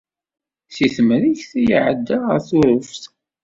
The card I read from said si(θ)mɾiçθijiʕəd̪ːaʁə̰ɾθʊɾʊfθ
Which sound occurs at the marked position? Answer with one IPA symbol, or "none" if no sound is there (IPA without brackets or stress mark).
θ